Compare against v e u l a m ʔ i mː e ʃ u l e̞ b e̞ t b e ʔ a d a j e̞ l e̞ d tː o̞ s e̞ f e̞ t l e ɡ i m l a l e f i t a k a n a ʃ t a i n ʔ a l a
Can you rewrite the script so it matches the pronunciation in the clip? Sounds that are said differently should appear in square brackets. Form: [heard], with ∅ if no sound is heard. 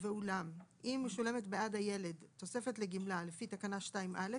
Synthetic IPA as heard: v e u l a m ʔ i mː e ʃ u l e̞ [m] e̞ t b e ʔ a d a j e̞ l e̞ d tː o̞ s e̞ f e̞ t l e ɡ i m l a l e f i t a k a n a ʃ t a i [m] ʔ a l [e]